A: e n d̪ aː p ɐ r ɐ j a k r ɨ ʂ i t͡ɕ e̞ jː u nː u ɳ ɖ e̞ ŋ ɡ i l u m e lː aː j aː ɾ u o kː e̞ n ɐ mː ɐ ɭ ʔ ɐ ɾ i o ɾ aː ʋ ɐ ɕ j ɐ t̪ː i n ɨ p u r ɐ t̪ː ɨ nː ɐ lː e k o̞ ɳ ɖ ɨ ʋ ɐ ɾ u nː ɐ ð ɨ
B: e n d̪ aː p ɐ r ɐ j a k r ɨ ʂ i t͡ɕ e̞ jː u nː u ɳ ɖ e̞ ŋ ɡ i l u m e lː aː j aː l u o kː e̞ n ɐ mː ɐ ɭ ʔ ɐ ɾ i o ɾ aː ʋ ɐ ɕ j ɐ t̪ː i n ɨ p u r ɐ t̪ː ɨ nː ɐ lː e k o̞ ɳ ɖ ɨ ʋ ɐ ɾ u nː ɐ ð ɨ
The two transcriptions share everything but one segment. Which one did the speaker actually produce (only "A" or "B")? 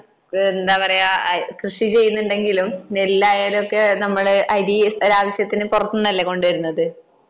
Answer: B